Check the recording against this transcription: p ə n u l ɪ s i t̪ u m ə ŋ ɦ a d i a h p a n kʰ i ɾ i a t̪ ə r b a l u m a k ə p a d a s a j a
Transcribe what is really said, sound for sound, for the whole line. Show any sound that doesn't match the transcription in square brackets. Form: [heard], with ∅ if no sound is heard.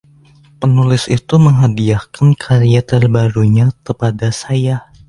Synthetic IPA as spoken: p ə n u l ɪ s i t̪ u m ə ŋ ɦ a d i a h [k] a n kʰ [a] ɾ i a t̪ ə r b a [ɾ] u [ɲ] a k ə p a d a s a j a